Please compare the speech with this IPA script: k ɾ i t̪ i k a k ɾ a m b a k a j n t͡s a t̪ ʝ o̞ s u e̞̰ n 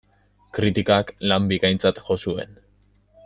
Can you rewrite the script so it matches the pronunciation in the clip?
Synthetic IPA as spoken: k ɾ i t̪ i k a k l a m b i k a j n t͡s a t̪ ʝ o̞ s u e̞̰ n